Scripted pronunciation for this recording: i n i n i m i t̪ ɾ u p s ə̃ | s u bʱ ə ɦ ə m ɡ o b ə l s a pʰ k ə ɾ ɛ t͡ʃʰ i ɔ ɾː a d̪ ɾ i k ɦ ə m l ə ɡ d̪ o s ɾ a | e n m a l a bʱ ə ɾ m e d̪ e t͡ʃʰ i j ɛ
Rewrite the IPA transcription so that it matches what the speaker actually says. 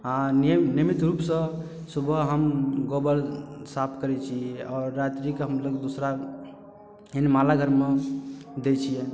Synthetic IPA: a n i n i m i t̪ ɾ u p s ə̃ | s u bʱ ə ɦ ə m ɡ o b ə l s a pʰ k ə ɾ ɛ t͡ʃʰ i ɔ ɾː a t̪ ɾ i k ɦ ə m l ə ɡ d̪ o s ɾ a | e n m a l a ɡʱ ə ɾ m e d̪ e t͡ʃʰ i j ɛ